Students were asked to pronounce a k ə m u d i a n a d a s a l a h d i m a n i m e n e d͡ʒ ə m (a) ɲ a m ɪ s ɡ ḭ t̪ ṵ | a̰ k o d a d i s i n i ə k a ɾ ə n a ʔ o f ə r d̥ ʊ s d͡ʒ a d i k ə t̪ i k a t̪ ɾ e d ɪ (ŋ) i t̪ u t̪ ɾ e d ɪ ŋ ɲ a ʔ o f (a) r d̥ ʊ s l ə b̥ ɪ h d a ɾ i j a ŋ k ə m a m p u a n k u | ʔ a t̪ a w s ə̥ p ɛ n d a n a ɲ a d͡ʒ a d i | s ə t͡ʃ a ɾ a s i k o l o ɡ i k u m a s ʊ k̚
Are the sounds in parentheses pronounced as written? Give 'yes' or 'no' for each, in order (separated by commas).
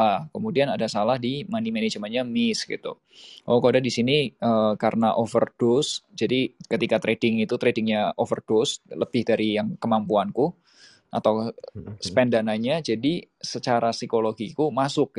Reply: yes, yes, no